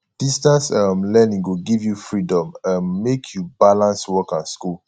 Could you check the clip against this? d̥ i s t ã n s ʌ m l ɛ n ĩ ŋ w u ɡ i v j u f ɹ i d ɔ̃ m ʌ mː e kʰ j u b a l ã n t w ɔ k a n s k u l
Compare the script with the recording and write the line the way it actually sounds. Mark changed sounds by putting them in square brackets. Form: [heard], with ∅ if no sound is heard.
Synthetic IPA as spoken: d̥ i s t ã n s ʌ m l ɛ n ĩ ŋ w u ɡ i v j u f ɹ i d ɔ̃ m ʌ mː e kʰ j u b a l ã n [s] w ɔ k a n s k u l